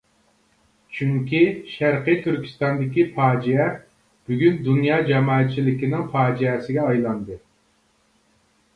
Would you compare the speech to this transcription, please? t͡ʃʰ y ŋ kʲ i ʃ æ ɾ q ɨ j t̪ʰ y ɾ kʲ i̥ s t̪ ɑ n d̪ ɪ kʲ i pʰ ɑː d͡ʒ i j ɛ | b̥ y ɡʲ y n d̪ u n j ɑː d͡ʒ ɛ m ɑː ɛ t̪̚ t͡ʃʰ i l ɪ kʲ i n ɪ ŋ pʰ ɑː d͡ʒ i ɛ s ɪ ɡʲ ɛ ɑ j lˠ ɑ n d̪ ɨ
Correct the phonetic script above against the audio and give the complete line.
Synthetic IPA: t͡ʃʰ y ŋ kʲ i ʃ æ ɾ q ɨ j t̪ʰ y ɾ kʲ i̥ s t̪ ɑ n d̪ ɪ kʲ i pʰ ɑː d͡ʒ i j ɛ | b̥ y ɡʲ y n d̪ u n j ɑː d͡ʒ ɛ m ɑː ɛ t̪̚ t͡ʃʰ i l ɪ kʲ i n ɪ ŋ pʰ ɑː d͡ʒ i ɛ s ɪ ɡʲ ɛ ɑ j lˠ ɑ n d̪ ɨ